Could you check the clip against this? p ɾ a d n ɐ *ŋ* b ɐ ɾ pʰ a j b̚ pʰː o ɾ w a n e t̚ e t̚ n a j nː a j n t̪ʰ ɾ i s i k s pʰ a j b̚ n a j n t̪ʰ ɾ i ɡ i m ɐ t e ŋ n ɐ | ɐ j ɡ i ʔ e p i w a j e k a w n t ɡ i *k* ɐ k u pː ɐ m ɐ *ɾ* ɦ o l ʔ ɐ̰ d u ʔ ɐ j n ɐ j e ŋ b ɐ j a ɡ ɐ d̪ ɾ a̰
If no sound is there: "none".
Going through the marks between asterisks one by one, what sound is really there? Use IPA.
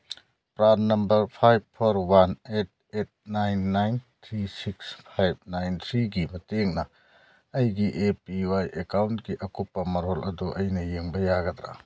m, ʔ, ɾ

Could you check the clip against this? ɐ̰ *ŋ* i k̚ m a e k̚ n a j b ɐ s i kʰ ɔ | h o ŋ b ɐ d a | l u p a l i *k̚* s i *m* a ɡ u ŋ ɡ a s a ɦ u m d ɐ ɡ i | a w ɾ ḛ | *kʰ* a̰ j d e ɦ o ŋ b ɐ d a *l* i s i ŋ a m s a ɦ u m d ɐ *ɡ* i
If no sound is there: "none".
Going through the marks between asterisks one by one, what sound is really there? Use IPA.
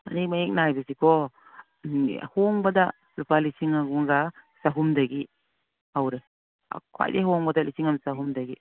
n, none, ŋ, kʰ, l, ɡ

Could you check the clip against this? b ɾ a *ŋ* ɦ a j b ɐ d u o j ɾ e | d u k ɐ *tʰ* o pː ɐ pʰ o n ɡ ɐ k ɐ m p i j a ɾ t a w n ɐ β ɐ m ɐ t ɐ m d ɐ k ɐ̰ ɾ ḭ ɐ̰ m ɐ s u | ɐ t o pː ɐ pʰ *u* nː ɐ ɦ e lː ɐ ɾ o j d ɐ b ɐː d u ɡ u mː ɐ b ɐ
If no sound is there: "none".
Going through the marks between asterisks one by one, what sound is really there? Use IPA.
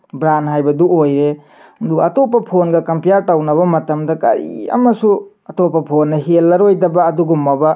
n, t, o

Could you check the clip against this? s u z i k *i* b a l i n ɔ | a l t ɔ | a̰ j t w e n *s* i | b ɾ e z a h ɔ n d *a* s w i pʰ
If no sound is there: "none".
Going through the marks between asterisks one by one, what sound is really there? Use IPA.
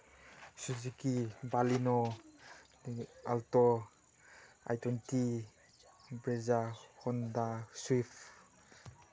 i, t, a

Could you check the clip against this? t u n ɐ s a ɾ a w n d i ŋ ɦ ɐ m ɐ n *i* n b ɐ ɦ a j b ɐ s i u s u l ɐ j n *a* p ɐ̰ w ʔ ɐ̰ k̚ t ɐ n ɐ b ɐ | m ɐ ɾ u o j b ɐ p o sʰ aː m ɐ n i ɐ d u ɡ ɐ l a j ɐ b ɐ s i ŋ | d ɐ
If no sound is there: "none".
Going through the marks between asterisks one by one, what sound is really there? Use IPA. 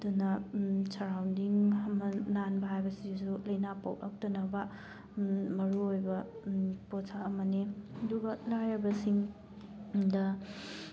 a, a

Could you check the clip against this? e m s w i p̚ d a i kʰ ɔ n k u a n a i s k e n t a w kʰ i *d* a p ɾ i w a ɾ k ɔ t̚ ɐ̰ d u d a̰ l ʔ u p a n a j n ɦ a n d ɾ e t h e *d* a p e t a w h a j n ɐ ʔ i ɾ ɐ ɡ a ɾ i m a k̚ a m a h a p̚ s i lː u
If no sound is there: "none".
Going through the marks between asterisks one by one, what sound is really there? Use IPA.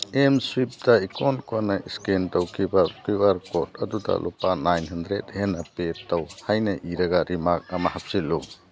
b, n

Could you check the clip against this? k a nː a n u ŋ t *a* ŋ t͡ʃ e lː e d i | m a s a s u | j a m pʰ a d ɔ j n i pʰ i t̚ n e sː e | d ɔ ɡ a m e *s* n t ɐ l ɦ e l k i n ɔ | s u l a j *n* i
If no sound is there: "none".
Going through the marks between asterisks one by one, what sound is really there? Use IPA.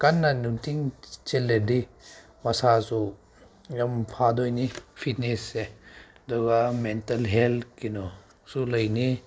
i, none, n

